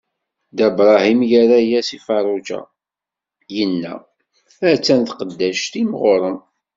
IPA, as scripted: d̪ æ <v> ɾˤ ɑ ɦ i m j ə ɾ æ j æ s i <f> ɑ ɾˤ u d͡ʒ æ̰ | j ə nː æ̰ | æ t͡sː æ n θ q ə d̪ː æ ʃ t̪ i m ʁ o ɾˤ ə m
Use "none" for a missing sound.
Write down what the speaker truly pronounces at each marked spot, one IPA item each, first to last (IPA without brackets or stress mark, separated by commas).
b, f